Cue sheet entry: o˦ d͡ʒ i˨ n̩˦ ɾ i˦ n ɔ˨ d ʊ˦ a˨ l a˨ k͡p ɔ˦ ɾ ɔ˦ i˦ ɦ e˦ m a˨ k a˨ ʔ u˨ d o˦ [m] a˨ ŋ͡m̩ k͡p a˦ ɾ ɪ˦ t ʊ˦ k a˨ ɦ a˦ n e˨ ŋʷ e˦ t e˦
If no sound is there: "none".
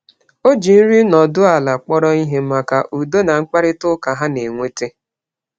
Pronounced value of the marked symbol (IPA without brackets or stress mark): n